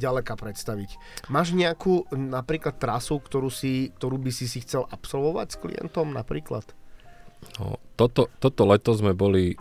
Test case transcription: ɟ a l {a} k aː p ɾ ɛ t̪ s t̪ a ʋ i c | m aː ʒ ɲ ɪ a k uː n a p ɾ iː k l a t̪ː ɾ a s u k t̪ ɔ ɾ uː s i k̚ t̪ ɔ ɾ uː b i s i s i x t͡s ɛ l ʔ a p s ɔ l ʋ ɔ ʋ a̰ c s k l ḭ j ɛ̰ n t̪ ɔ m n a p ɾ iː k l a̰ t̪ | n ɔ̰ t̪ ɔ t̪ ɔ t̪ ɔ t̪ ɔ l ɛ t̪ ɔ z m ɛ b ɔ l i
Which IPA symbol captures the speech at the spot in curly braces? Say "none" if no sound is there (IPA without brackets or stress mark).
ɛ